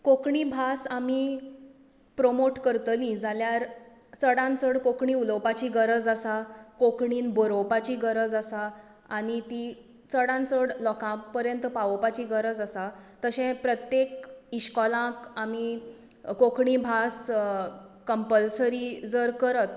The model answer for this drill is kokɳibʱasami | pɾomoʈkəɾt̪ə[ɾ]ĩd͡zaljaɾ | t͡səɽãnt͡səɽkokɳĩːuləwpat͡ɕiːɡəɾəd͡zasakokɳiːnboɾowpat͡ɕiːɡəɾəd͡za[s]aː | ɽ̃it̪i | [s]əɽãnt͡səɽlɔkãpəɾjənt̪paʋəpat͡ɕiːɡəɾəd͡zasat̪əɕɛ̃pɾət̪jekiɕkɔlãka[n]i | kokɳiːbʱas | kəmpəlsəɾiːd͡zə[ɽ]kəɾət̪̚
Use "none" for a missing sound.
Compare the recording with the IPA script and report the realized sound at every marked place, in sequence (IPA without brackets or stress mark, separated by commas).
l, s, t͡s, m, ɾ